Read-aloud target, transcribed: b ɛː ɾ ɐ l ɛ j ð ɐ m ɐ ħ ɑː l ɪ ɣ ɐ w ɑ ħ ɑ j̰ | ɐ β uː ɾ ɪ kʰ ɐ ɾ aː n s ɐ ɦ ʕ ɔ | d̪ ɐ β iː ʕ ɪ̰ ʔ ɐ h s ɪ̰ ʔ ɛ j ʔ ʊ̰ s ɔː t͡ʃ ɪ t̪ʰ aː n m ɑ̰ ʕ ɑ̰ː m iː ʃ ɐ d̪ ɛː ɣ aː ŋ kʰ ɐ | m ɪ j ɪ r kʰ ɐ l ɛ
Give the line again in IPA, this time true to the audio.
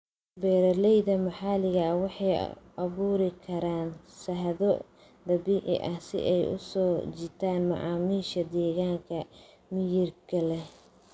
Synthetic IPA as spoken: b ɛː ɾ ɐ l ɛ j ð ɐ m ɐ ħ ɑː l ɪ ɣ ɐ w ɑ ħ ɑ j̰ | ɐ β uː ɾ ɪ kʰ ɐ ɾ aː n s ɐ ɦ ð ɔ | d̪ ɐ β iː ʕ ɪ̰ ʔ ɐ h s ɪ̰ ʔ ɛ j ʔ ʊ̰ s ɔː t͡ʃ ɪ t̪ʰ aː n m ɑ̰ ʕ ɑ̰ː m iː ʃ ɐ d̪ ɛː ɣ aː ŋ kʰ ɐ | m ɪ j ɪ r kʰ ɐ l ɛ